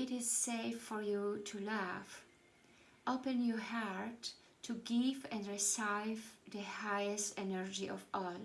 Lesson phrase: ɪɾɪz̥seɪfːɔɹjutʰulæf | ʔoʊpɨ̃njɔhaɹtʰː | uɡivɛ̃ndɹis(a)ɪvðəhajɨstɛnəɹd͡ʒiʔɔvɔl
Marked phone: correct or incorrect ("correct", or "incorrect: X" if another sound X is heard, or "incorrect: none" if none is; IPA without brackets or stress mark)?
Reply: correct